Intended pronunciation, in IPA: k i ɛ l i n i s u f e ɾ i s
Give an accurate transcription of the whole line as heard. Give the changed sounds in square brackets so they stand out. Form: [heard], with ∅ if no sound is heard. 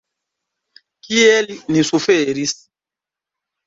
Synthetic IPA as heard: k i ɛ l i n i s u f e ɾ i s

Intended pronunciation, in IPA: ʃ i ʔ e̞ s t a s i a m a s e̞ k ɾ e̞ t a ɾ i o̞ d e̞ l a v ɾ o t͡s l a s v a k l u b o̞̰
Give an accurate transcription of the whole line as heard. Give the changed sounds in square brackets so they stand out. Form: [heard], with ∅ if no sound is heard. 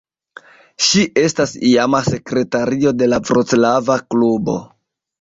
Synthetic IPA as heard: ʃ i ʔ e̞ s t a s i a m a s e̞ k ɾ e̞ t a ɾ i o̞ d e̞ l a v ɾ o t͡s l a [∅] v a k l u b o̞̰

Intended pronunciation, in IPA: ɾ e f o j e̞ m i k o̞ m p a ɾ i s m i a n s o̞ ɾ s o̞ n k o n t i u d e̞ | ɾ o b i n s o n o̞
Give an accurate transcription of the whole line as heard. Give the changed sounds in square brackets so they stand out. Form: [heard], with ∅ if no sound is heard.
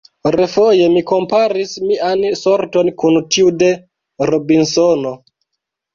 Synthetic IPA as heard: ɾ e f o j e̞ m i k o̞ m p a ɾ i s m i a n s o̞ ɾ [t] o̞ n k [u] n t i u d e̞ | ɾ o b i n s o n o̞

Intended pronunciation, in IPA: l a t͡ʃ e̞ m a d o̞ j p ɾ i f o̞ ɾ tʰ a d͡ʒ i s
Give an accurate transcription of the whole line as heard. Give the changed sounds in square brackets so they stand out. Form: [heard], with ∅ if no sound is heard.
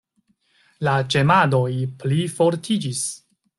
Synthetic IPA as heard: l a t͡ʃ e̞ m a d o̞ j p [l] i f o̞ ɾ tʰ [i] d͡ʒ i s

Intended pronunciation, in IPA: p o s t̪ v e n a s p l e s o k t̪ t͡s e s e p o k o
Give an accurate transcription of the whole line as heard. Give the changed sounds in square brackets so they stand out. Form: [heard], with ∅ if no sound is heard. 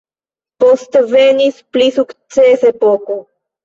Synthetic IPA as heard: p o s t̪ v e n [i] s p l [i] s [u] k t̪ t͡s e s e p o k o

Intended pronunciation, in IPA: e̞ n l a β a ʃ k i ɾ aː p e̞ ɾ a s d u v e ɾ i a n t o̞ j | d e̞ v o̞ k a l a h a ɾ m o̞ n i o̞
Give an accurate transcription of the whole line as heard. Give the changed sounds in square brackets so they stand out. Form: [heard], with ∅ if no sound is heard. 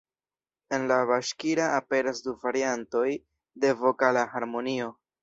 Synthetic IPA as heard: e̞ n l a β a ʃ k i ɾ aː p e̞ ɾ a s d u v [a] ɾ i a n t o̞ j | d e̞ v o̞ k a l a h a ɾ m o̞ n i o̞

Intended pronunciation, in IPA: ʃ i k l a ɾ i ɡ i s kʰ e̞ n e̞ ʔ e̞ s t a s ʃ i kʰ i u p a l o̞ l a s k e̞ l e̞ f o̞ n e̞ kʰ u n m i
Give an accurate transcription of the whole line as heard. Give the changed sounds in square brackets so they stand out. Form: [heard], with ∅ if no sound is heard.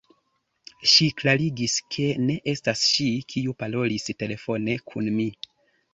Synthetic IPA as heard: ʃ i k l a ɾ i ɡ i s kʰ e̞ n e̞ ʔ e̞ s t a s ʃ i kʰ i u p a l o̞ l [i] s [t] e̞ l e̞ f o̞ n e̞ kʰ u n m i

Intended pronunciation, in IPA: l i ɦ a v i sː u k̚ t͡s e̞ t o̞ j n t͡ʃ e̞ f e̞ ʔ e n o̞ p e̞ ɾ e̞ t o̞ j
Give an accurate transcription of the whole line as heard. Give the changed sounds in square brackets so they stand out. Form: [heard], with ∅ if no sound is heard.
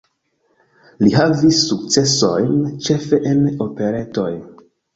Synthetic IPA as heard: l i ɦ a v i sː u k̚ t͡s e̞ [s] o̞ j n t͡ʃ e̞ f e̞ ʔ e n o̞ p e̞ ɾ e̞ t o̞ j

